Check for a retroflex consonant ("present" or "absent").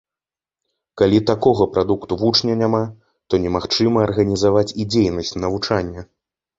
present